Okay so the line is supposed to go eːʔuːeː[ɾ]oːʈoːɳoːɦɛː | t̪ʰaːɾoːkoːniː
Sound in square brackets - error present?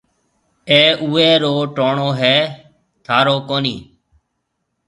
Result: no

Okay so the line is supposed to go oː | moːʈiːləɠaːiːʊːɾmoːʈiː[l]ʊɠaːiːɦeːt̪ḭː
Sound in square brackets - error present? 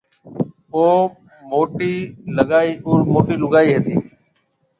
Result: no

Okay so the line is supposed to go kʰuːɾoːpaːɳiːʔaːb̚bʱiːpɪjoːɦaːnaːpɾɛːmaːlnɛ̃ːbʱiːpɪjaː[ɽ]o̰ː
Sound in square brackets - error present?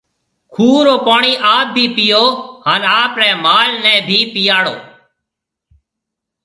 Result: no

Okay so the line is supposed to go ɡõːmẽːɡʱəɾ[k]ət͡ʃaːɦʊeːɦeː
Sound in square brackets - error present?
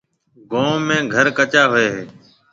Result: no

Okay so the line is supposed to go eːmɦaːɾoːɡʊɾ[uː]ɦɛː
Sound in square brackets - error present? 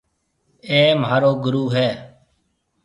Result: no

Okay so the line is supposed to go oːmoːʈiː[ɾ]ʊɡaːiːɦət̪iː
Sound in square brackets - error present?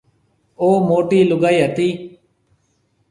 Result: yes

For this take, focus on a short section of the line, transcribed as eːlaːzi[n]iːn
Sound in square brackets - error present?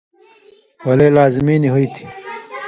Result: yes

